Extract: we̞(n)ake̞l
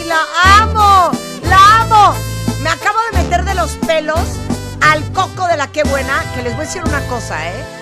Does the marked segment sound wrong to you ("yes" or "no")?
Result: no